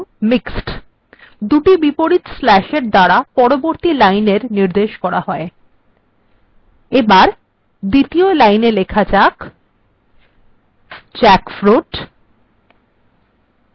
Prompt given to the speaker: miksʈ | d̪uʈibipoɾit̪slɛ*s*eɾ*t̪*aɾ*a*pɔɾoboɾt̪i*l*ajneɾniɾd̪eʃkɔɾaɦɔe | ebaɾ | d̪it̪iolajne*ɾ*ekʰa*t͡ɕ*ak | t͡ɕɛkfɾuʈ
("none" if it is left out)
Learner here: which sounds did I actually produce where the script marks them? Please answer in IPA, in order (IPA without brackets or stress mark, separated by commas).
ʃ, d̪, a, l, l, t͡ɕ